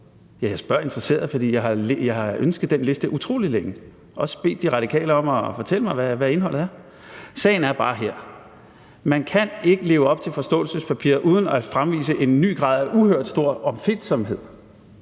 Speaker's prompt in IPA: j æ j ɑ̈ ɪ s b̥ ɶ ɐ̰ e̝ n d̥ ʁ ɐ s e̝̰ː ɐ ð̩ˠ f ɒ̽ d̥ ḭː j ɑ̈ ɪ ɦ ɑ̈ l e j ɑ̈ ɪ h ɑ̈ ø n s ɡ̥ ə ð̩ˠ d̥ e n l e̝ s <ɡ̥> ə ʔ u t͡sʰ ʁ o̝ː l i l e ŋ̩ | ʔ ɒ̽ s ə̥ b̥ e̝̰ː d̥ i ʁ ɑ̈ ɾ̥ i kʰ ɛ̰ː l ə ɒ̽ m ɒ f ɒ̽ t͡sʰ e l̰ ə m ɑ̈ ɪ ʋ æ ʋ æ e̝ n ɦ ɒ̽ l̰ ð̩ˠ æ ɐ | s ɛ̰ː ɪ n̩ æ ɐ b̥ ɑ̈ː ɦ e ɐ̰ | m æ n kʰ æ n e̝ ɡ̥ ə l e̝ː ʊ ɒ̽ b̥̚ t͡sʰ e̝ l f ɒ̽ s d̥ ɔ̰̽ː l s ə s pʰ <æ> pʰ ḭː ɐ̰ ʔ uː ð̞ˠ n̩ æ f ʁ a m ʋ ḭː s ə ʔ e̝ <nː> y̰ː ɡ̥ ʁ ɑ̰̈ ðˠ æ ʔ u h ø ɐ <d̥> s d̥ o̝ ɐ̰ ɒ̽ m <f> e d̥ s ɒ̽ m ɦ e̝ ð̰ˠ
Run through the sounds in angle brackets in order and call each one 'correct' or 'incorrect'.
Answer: incorrect: d̥, correct, correct, correct, correct

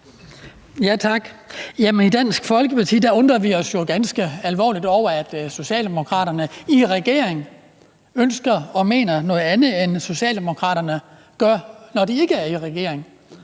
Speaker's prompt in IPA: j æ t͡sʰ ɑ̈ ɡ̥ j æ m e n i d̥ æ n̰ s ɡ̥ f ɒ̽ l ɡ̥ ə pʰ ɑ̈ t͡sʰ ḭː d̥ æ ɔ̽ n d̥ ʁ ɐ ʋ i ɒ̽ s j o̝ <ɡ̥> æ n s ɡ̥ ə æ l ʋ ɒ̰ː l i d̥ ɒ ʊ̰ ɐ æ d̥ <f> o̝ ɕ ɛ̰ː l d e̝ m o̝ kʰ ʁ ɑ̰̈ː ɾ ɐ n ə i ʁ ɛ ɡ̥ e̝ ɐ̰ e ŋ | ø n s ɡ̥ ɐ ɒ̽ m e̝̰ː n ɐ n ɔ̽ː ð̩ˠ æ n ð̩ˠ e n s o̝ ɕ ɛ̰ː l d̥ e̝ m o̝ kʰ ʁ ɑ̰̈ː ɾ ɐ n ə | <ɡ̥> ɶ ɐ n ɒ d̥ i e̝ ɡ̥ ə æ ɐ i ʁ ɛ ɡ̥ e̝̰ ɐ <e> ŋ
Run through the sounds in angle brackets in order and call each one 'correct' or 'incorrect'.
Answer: correct, incorrect: s, correct, correct

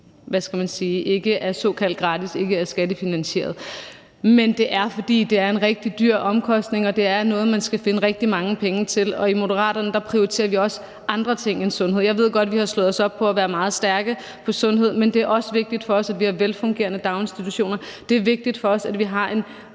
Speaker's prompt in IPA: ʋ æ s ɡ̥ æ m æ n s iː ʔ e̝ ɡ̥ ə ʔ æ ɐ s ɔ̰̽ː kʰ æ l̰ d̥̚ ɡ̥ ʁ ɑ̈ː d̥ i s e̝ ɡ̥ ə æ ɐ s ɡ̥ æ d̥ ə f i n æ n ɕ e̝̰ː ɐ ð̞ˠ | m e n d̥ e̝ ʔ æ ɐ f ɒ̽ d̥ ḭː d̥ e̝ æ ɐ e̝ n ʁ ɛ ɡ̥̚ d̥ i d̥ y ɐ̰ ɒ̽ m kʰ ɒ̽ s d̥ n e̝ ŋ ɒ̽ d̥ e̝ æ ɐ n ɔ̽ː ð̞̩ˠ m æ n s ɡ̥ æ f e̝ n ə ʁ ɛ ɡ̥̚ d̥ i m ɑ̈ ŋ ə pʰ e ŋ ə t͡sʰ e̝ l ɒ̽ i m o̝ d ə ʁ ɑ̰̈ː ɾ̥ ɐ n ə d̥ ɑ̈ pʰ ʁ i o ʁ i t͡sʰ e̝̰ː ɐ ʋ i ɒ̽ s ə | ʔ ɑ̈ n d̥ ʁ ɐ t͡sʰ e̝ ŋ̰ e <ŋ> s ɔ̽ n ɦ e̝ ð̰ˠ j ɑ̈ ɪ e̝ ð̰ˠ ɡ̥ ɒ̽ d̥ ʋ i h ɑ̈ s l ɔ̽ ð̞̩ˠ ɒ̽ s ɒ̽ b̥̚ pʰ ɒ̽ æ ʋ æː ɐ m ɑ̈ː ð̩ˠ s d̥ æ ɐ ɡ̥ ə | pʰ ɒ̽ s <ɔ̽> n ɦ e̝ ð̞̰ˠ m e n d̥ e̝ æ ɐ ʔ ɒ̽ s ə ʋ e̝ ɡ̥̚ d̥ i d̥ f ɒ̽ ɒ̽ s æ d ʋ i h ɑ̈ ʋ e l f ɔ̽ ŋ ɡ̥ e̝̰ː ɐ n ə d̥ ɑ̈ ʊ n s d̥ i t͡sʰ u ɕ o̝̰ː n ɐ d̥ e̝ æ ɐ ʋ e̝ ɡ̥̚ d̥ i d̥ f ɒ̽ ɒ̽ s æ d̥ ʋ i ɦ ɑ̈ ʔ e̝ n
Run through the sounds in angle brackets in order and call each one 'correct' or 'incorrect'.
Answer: incorrect: n, correct

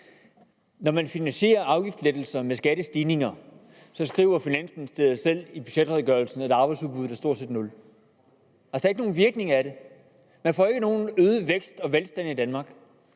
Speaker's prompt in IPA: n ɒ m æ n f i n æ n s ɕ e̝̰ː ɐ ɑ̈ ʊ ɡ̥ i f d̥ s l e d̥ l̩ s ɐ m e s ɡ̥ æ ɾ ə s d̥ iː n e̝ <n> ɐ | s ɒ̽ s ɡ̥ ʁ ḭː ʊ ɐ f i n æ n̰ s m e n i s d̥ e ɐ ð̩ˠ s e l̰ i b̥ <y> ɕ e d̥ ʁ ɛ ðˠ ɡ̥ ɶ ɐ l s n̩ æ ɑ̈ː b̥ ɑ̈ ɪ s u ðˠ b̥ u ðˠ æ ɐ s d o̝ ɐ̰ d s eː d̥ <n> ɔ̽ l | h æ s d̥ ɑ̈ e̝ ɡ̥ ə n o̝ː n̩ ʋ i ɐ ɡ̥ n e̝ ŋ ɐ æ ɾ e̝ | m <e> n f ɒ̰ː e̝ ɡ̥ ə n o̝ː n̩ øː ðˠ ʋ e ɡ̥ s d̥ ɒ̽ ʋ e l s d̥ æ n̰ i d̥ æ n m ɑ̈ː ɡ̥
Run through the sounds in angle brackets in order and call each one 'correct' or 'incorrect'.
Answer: incorrect: ŋ, correct, correct, incorrect: æ

